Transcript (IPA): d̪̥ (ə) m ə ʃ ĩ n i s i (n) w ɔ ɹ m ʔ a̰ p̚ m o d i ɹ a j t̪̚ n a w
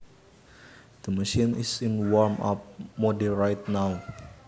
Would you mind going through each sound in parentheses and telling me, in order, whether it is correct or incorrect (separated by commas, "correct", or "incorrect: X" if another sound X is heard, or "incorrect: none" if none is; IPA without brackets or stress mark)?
correct, correct